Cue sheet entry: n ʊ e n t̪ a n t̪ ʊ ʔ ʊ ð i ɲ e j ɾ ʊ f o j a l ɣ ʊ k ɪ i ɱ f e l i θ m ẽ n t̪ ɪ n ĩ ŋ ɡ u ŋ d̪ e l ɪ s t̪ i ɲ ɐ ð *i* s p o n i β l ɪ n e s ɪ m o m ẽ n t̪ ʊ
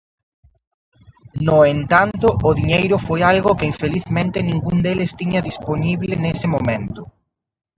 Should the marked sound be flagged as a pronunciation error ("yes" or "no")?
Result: no